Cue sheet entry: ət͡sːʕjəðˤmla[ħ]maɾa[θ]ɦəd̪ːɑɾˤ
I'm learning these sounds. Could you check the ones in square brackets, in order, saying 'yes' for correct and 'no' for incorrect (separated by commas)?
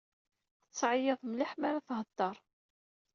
yes, yes